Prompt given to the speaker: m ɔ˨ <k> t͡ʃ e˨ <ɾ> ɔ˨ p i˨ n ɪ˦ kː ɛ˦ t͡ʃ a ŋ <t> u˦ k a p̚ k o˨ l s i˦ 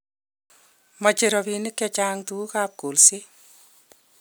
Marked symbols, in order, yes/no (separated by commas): no, yes, yes